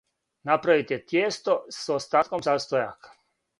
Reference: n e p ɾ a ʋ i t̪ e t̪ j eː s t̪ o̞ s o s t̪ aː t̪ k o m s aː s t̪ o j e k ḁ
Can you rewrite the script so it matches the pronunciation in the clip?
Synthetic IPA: n a p ɾ a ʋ i t̪ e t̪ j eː s t̪ o̞ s o s t̪ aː t̪ k o m s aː s t̪ o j a k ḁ